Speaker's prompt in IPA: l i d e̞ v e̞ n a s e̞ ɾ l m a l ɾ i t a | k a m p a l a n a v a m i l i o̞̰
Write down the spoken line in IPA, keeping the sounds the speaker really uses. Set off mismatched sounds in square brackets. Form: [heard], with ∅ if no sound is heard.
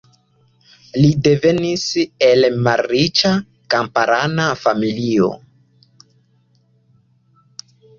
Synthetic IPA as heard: l i d e̞ v e̞ n [i] s e̞ [∅] l m a l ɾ i [t͡ʃ] a | k a m p a [ɾ] a n a [f] a m i l i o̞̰